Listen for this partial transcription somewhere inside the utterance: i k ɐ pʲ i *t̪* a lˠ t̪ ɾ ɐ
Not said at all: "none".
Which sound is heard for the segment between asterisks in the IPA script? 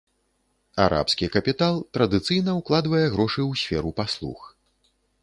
t̪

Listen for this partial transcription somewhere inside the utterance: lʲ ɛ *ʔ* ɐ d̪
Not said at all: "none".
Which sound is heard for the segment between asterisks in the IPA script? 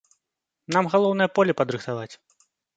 p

